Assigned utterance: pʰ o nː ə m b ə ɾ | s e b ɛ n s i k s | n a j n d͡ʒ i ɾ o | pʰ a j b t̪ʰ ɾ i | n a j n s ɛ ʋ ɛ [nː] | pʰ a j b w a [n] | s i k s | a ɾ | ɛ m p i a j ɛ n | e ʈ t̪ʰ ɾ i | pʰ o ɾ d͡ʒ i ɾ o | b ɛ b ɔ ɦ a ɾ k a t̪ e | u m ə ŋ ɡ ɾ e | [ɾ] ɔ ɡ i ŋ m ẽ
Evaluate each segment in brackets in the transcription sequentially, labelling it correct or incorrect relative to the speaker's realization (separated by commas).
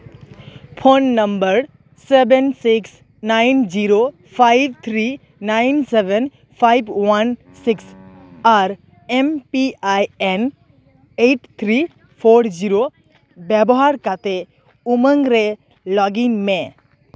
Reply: incorrect, correct, incorrect